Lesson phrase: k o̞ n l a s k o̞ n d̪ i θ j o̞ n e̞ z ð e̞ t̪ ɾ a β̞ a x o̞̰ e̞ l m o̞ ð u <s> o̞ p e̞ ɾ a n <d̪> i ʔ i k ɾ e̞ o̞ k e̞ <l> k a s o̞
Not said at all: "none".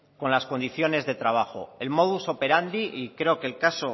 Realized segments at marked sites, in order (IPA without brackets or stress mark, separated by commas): s, d̪, l